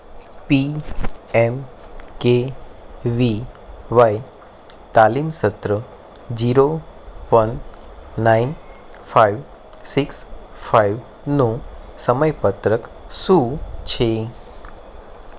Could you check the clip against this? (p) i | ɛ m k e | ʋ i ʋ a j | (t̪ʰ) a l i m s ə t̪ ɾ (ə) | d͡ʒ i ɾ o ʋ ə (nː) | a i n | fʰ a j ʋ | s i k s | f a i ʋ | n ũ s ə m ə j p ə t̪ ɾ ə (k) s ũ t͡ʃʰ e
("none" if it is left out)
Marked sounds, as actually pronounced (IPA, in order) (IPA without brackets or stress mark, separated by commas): p, t̪, ə, nː, k